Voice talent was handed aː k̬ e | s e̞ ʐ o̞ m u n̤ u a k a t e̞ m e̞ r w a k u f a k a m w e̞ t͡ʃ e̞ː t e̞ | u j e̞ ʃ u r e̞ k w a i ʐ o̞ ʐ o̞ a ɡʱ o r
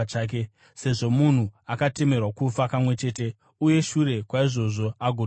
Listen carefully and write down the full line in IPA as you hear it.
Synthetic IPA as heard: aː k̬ e | s e̞ ʐ o̞ m u n̤ u a k a t e̞ m e̞ r w a k u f a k a m w e̞ t͡ʃ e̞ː t e̞ | u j e̞ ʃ u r e̞ k w a i ʐ o̞ ʐ o̞ a ɡʱ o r